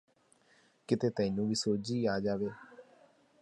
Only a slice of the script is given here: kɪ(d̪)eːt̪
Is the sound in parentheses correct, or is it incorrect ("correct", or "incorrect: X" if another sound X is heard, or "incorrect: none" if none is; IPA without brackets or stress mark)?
incorrect: t̪